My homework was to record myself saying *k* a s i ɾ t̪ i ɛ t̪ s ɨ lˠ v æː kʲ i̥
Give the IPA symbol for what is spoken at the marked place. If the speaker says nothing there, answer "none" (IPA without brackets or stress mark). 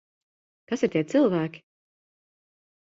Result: k